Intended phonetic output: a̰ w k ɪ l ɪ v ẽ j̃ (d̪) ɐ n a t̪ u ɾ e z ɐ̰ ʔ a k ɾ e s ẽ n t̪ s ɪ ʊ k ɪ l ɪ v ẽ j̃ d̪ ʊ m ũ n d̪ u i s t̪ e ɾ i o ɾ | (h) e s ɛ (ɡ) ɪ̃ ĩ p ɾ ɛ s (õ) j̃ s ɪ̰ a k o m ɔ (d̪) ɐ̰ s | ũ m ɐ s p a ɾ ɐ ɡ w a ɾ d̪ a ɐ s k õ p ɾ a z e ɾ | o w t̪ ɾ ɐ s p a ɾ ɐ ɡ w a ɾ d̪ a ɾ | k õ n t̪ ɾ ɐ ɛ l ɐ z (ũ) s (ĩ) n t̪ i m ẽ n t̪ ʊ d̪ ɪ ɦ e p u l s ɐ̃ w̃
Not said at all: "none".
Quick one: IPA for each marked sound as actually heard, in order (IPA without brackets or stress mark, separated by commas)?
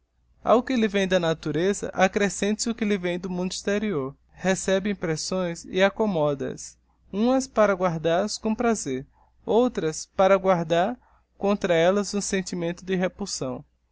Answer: d̪, h, b, õ, d̪, ũ, ẽ